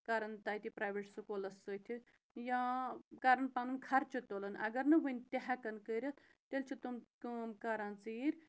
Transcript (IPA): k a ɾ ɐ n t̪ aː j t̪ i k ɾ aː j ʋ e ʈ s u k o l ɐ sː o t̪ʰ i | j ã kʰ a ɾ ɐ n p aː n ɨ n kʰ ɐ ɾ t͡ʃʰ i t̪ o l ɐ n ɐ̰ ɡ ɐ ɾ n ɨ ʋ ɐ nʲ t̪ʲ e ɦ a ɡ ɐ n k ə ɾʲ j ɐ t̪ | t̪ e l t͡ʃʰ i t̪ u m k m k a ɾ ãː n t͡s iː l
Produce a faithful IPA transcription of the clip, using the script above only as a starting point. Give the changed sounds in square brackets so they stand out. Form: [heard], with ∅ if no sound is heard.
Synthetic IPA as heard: k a ɾ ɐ n t̪ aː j t̪ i [p] ɾ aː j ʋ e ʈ s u k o l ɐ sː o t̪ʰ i | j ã [k] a ɾ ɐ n p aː n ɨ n kʰ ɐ ɾ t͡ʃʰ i t̪ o l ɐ n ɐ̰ ɡ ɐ ɾ n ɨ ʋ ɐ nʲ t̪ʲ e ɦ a [k] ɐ n k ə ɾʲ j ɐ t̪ | t̪ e l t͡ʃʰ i t̪ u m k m k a ɾ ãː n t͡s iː [ɾ]